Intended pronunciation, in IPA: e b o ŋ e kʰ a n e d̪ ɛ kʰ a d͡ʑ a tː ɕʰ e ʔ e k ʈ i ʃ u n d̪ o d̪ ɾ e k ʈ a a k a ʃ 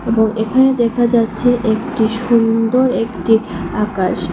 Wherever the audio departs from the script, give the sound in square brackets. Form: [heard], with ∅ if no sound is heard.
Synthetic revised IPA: e b o ŋ e kʰ a n e d̪ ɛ kʰ a d͡ʑ a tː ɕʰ e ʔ e k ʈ i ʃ u n d̪ o [∅] ɾ e k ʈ [i] a k a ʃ